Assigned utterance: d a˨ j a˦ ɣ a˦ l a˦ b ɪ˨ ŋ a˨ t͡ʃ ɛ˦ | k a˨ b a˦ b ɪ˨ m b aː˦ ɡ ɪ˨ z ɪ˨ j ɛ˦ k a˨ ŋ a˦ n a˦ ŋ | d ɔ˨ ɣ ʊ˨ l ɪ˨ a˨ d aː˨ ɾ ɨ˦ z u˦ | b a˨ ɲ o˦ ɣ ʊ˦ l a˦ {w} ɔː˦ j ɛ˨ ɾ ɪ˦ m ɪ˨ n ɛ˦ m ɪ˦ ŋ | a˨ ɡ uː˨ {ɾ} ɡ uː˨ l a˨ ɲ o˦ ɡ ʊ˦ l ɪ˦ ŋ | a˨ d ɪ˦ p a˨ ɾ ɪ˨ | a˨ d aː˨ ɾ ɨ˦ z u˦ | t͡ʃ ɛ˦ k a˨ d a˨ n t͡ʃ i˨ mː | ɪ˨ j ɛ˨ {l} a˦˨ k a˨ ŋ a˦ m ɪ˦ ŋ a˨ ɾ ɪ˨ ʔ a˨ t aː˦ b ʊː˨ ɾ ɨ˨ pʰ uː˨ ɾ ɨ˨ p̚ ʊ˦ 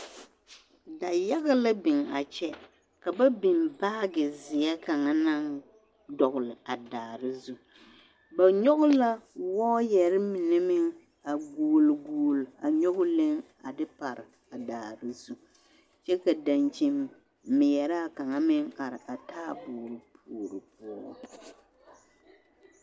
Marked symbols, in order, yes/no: yes, no, no

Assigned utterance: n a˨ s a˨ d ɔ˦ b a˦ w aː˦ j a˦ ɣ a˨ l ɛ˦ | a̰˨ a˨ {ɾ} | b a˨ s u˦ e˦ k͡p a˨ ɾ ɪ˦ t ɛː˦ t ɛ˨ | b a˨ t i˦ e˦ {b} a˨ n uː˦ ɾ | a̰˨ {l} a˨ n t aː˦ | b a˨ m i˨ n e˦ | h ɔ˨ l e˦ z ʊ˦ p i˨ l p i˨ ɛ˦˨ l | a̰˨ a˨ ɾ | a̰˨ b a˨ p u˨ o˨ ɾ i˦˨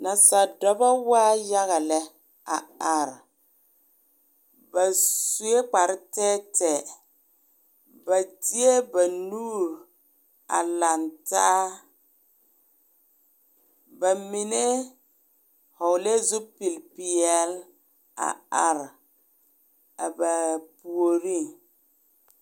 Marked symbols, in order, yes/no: yes, yes, yes

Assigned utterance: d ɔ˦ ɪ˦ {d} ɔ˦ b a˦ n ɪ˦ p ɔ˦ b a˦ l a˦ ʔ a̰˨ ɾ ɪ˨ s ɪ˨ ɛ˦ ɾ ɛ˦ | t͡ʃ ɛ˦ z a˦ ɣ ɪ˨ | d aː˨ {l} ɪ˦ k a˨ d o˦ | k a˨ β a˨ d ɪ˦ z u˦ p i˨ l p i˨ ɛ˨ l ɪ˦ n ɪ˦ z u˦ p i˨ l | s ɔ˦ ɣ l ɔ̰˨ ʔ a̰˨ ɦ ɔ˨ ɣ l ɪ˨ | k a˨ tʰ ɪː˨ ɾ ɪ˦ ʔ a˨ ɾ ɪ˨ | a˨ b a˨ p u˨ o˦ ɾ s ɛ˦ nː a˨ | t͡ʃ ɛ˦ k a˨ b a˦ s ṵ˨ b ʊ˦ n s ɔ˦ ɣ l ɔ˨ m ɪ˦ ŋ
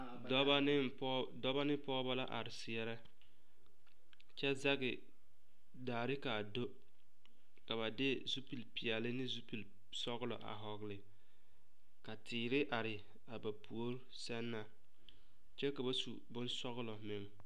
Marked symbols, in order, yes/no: yes, no

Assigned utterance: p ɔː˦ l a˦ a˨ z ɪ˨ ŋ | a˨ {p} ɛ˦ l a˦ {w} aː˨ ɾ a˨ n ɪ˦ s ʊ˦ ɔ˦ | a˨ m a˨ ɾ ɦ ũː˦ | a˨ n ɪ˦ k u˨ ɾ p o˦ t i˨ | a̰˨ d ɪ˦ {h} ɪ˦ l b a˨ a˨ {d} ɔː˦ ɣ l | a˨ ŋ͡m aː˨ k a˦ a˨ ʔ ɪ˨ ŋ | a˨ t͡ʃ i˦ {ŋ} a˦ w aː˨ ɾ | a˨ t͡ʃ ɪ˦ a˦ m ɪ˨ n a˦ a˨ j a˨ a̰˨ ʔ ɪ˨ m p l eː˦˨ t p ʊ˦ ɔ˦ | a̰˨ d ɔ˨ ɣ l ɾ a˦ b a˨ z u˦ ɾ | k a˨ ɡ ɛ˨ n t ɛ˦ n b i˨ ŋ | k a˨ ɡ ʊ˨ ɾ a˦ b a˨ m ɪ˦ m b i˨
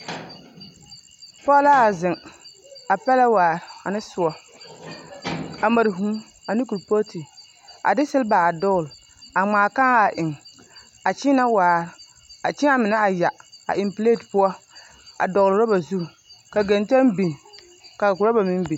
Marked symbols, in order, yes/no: yes, yes, no, yes, no

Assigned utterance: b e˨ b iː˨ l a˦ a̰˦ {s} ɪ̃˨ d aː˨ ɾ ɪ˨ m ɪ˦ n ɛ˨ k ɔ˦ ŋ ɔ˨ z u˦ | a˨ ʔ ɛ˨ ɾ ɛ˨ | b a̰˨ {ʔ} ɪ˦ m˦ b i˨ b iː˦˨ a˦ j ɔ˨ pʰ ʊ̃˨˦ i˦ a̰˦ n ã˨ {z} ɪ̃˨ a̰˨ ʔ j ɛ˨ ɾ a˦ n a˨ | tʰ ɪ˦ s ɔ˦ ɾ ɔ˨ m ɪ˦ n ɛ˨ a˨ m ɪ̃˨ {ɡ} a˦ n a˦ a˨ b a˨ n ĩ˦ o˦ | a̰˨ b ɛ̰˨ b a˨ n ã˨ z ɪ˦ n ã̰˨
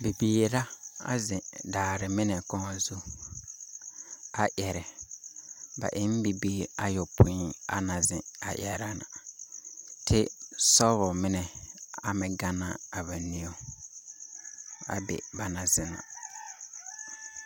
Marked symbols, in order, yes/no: no, yes, yes, yes

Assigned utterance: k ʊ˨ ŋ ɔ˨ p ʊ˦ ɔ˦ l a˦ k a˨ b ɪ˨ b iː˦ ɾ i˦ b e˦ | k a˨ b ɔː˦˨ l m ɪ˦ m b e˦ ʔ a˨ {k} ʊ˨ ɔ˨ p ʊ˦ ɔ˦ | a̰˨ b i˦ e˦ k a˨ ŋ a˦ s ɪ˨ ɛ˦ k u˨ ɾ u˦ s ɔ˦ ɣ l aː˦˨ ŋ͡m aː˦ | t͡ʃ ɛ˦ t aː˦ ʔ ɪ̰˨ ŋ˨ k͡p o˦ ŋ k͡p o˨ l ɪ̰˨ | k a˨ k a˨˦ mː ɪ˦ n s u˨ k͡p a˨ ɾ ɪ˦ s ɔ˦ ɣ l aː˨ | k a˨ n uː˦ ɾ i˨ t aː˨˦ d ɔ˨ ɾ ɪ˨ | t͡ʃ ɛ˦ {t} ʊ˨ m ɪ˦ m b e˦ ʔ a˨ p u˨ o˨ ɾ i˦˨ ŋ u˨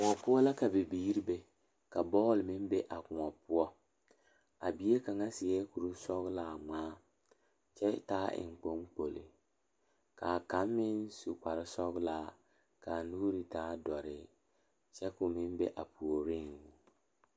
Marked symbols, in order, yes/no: yes, no

